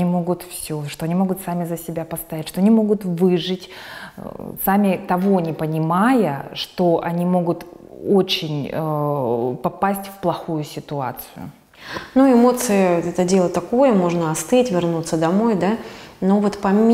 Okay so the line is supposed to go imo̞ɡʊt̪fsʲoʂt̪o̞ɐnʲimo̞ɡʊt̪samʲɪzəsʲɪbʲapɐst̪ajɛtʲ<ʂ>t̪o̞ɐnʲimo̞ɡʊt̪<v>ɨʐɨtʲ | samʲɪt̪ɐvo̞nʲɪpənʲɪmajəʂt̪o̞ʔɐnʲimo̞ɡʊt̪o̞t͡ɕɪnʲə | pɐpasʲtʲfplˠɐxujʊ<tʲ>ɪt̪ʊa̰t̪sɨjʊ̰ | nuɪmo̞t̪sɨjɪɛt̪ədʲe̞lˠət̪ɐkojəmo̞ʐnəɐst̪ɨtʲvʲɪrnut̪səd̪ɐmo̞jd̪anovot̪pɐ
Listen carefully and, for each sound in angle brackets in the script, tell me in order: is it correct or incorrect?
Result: correct, correct, incorrect

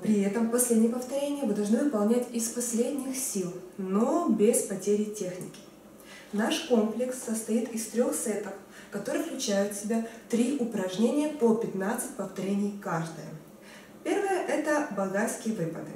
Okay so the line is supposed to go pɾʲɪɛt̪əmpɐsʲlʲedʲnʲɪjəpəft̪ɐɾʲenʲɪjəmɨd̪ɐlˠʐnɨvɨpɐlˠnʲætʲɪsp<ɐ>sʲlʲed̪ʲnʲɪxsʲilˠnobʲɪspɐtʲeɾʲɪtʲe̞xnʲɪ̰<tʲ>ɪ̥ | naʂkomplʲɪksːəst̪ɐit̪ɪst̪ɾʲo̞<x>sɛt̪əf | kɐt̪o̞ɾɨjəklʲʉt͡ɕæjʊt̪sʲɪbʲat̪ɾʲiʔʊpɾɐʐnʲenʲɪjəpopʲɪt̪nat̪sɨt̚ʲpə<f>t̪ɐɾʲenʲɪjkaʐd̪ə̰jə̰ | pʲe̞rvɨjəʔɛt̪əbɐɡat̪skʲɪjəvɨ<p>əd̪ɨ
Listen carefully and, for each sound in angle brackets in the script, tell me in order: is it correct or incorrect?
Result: correct, incorrect, correct, correct, correct

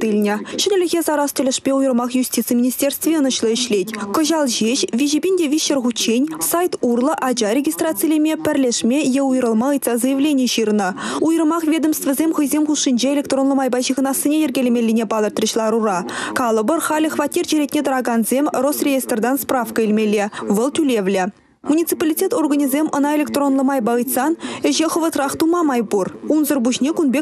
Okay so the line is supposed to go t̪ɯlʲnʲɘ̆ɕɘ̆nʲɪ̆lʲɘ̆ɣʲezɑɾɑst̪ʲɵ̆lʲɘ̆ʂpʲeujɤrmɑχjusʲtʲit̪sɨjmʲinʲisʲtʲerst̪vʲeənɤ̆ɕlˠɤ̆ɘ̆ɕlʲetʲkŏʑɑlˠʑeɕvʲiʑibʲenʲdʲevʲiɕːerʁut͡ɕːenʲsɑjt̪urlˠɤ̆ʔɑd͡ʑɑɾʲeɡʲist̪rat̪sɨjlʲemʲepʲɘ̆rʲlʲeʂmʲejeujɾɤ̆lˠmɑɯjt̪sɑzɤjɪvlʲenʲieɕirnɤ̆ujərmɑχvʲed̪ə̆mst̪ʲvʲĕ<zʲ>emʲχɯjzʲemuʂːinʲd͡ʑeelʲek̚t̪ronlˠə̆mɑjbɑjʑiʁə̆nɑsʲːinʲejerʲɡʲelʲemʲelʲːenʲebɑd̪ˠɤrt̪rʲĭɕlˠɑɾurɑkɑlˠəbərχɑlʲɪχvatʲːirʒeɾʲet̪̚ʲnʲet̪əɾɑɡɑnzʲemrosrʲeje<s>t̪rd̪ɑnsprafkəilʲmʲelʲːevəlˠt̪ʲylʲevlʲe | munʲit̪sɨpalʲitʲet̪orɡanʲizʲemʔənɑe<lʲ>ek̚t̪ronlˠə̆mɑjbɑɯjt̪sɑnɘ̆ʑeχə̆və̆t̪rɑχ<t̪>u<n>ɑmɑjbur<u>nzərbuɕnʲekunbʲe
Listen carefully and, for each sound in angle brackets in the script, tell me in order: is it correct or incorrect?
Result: correct, correct, correct, correct, incorrect, correct

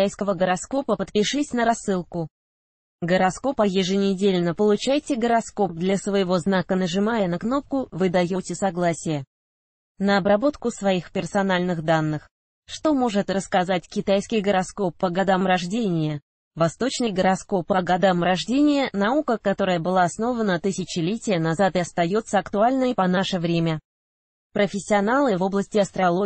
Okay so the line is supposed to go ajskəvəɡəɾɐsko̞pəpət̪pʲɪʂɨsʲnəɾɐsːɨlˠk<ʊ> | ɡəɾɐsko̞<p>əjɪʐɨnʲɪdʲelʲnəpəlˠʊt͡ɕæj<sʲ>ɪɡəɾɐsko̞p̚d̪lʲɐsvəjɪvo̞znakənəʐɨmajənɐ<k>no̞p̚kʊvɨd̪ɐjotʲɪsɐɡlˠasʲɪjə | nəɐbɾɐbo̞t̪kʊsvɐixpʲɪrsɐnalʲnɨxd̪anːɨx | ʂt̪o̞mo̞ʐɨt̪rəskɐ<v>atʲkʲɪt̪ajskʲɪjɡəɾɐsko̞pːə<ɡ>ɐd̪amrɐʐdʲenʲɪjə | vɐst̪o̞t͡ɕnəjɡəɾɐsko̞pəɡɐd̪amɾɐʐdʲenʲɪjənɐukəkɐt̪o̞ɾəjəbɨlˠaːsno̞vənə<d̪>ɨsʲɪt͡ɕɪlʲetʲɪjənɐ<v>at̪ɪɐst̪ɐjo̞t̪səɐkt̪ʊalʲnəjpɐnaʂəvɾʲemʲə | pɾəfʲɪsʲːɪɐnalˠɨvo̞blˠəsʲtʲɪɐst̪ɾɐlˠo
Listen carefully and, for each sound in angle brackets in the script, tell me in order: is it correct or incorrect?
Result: correct, correct, incorrect, correct, incorrect, correct, incorrect, incorrect

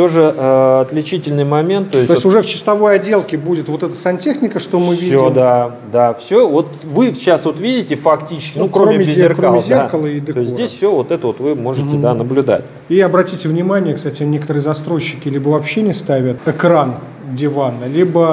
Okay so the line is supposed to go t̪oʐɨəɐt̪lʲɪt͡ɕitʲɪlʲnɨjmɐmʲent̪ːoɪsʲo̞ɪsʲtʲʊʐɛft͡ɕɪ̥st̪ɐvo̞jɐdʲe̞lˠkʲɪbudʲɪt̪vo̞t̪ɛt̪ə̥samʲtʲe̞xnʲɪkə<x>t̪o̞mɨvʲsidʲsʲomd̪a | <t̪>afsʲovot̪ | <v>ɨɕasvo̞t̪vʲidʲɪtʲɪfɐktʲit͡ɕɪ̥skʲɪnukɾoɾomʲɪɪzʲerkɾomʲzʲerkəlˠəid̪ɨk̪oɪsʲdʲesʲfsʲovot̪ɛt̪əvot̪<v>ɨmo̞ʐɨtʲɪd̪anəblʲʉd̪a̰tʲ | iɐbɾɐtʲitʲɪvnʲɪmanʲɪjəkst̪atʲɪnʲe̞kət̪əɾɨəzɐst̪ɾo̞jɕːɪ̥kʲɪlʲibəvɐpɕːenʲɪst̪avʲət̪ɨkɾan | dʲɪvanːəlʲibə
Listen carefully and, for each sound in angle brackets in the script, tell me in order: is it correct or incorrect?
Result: incorrect, incorrect, correct, correct

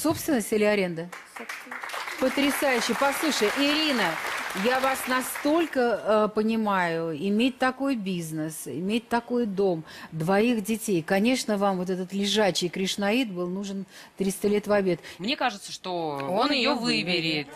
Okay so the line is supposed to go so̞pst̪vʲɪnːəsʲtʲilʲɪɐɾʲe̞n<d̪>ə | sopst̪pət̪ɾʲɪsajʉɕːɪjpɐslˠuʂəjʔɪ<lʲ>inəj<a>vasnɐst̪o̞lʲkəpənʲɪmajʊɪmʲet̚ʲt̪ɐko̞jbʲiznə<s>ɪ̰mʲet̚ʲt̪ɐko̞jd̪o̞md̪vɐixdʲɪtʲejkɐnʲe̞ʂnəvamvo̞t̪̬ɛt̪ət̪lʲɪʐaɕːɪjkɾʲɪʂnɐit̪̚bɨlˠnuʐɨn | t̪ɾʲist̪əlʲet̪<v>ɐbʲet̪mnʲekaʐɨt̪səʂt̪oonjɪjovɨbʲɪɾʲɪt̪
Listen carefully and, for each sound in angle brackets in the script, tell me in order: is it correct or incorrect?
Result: correct, incorrect, correct, correct, correct

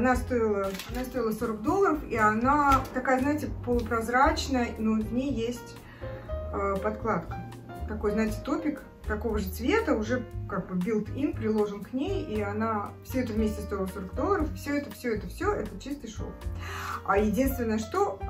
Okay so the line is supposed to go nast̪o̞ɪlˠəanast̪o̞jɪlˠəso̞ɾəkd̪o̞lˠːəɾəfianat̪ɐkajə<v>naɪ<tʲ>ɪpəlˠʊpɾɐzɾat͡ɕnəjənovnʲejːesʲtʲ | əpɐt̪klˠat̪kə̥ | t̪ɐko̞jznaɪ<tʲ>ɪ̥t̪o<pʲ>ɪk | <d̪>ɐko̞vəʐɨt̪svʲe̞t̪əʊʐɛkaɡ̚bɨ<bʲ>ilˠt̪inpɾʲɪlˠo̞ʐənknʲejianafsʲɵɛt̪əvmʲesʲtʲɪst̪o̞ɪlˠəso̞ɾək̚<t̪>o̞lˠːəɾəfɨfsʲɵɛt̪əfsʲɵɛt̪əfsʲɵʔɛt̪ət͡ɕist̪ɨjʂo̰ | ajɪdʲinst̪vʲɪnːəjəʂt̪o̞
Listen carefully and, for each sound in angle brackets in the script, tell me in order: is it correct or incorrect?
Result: incorrect, correct, correct, correct, incorrect, correct, incorrect

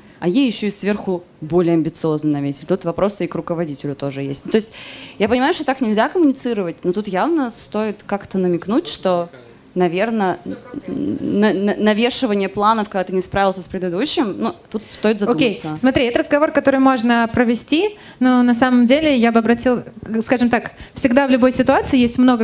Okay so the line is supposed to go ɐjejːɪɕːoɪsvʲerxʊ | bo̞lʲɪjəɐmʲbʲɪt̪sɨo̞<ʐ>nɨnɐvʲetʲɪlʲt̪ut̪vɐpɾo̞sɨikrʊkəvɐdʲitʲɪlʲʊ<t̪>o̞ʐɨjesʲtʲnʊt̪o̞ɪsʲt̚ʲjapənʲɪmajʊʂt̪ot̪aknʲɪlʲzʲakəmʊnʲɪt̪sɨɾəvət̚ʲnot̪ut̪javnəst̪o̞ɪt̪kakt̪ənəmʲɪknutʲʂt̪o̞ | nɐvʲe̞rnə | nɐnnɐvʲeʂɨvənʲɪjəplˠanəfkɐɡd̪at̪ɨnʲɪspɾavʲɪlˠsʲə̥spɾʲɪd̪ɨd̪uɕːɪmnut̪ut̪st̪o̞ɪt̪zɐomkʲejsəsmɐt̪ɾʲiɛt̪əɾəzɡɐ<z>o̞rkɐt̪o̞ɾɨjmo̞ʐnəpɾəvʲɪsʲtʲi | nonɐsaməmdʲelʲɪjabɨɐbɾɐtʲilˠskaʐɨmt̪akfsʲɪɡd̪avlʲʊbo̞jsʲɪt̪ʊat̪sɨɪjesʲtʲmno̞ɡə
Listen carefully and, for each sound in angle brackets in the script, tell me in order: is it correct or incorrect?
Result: incorrect, correct, incorrect

